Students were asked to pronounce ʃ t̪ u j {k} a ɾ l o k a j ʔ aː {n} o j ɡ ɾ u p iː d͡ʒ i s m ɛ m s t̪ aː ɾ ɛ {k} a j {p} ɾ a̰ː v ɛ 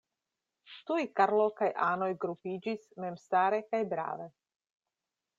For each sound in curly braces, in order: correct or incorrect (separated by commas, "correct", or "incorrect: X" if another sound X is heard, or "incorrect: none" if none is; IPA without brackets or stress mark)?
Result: correct, correct, correct, incorrect: b